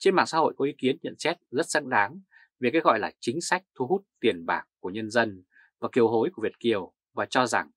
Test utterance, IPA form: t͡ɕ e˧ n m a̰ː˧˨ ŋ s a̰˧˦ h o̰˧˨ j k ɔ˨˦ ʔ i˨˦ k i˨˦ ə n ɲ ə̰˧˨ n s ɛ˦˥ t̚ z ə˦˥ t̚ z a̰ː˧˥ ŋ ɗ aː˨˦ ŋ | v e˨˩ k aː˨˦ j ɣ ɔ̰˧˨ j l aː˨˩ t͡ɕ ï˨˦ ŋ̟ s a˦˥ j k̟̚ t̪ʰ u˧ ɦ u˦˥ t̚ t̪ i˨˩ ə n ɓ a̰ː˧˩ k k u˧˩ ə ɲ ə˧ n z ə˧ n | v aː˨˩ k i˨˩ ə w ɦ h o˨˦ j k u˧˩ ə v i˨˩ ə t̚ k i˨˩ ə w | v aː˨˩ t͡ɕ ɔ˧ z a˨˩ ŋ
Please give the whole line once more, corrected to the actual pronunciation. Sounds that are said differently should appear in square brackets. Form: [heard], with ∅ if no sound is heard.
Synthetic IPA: t͡ɕ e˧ n m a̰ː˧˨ ŋ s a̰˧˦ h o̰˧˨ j k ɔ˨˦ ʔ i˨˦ k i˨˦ ə n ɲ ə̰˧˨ n s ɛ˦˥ t̚ z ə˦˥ t̚ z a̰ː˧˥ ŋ ɗ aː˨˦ ŋ | v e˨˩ k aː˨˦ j ɣ ɔ̰˧˨ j l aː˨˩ t͡ɕ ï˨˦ ŋ̟ s a˦˥ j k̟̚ t̪ʰ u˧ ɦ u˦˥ t̚ t̪ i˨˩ ə n ɓ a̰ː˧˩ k k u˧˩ ə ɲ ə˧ n z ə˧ n | v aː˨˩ k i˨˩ ə w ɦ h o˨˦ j k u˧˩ ə v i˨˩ ə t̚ k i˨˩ ə w | v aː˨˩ t͡ɕ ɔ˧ z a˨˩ ŋ